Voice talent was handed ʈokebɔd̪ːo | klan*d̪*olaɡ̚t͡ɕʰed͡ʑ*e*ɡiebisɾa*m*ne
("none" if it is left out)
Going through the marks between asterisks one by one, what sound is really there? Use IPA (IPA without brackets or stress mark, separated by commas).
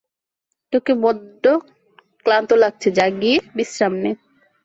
t̪, a, m